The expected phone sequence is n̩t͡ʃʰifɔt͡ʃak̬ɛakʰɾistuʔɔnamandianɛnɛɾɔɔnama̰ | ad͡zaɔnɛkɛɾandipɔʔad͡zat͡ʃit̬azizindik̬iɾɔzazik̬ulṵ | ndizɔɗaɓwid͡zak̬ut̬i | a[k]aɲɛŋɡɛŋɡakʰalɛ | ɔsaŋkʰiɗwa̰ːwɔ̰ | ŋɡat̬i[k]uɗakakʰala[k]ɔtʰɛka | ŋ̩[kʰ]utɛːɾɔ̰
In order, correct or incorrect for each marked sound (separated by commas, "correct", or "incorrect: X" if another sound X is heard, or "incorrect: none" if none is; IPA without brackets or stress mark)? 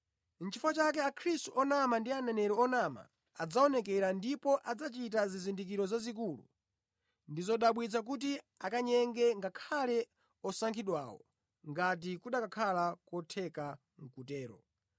correct, correct, correct, incorrect: k